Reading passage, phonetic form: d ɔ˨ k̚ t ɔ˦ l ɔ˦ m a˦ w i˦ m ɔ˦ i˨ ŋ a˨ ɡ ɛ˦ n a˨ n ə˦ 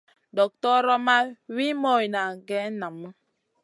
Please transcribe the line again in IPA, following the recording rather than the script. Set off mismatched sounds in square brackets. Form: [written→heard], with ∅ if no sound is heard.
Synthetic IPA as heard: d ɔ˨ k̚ t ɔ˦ [l→ɾ] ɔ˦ m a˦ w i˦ m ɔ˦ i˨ [ŋ→n] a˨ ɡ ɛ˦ n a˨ [n→m] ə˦